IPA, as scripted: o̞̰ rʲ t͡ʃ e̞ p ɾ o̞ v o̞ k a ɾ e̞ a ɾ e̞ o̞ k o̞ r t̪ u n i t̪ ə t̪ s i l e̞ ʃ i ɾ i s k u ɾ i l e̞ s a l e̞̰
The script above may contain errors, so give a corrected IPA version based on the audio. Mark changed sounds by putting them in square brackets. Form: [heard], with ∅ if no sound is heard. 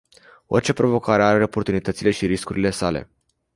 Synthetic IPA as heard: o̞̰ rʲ t͡ʃ e̞ p ɾ o̞ v o̞ k a ɾ e̞ a ɾ e̞ o̞ [p] o̞ r t̪ u n i t̪ ə t̪ s i l e̞ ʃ i ɾ i s k u ɾ i l e̞ s a l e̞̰

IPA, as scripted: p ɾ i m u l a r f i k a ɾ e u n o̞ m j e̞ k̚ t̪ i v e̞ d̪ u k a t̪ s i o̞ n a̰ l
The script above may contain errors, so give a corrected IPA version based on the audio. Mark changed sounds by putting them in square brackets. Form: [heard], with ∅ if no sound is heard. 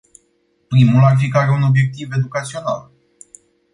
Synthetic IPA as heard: p ɾ i m u l a r f i k a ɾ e u n o̞ [b] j e̞ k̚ t̪ i v e̞ d̪ u k a t̪ s i o̞ n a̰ l

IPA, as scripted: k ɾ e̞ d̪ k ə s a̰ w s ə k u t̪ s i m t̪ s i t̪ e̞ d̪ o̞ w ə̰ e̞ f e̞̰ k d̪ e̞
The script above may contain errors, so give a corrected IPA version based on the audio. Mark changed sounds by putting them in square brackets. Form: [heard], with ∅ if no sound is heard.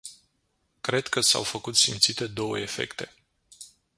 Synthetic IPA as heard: k ɾ e̞ d̪ k ə s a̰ w [f] ə k u t̪ s i m t̪ s i t̪ e̞ d̪ o̞ w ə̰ e̞ f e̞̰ k [t̪] e̞

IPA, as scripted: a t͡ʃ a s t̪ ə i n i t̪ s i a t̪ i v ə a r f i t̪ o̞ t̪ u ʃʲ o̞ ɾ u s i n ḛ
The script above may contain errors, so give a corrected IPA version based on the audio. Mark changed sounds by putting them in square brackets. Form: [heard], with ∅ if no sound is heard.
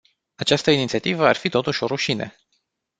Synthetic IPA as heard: a t͡ʃ a s t̪ ə i n i t̪ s i a t̪ i v ə a r f i t̪ o̞ t̪ u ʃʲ o̞ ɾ u [ʃ] i n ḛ

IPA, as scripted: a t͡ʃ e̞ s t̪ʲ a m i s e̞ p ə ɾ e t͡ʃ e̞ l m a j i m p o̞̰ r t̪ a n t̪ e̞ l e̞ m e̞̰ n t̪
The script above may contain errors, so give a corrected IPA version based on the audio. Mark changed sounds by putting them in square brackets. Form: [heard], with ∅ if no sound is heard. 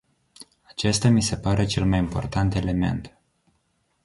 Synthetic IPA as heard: a t͡ʃ e̞ s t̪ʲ a m i s e̞ p [a] ɾ e t͡ʃ e̞ l m a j i m p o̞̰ r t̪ a n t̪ e̞ l e̞ m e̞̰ n t̪

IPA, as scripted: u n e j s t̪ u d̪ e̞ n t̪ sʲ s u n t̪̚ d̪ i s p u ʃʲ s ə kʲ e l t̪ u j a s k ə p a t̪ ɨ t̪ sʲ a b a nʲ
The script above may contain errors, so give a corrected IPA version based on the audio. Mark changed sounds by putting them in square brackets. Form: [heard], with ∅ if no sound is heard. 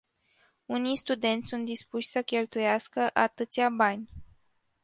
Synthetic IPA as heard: u n [i] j s t̪ u d̪ e̞ n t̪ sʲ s u n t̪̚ d̪ i s p u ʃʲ s ə kʲ e l t̪ u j a s k ə [ʔ] a t̪ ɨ t̪ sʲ a b a nʲ

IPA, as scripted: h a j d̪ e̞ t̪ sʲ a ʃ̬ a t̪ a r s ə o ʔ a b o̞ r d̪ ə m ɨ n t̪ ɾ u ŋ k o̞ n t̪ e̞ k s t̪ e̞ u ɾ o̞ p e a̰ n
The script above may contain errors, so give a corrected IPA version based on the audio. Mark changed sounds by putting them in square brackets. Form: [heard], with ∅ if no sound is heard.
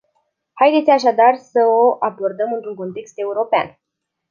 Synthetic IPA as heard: h a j d̪ e̞ t̪ sʲ a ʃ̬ a [d̪] a r s ə o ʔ a b o̞ r d̪ ə m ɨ n t̪ ɾ u ŋ k o̞ n t̪ e̞ k s t̪ e̞ u ɾ o̞ p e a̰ n

